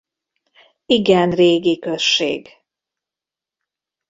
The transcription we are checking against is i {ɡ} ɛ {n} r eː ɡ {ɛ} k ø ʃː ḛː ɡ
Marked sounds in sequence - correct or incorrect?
correct, correct, incorrect: i

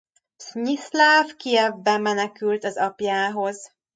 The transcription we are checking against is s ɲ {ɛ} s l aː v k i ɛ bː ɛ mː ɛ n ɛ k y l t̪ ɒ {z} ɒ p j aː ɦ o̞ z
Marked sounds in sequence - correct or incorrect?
incorrect: i, correct

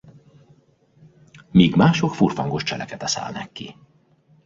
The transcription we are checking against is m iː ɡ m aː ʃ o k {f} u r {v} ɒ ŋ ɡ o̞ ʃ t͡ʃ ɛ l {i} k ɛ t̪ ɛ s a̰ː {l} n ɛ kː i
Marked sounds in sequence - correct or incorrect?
correct, incorrect: f, incorrect: ɛ, correct

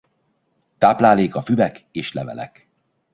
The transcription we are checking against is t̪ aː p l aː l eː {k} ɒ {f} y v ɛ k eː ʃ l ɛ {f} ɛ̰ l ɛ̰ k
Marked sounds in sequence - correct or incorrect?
correct, correct, incorrect: v

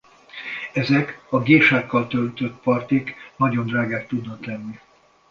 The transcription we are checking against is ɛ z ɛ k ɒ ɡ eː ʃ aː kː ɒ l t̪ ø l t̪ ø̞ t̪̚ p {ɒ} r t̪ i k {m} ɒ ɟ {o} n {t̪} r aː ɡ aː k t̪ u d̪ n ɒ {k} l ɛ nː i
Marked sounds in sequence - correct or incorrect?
correct, incorrect: n, correct, incorrect: d̪, correct

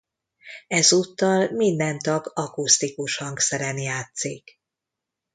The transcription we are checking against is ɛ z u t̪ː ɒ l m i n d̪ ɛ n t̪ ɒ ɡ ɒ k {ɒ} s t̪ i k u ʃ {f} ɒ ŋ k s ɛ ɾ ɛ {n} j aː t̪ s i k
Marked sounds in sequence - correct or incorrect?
incorrect: u, incorrect: h, correct

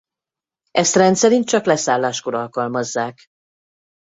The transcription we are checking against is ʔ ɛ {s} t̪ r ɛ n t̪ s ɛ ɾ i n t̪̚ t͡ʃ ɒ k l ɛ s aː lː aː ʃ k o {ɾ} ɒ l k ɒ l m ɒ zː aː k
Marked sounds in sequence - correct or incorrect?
correct, correct

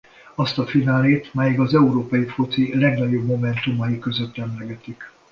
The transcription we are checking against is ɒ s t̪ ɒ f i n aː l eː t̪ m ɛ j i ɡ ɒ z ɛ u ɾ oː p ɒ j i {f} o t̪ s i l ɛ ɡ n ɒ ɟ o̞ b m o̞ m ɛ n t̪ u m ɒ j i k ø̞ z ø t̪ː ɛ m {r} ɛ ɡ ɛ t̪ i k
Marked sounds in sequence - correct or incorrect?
correct, incorrect: l

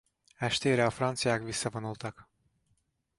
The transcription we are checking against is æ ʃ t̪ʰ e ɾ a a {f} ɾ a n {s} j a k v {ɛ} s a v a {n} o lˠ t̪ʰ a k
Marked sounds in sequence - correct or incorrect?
correct, correct, incorrect: i, correct

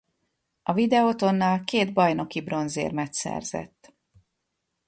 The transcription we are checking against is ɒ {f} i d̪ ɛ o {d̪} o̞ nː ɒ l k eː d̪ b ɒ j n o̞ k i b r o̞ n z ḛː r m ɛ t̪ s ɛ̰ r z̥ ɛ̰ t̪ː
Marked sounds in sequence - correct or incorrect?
incorrect: v, incorrect: t̪

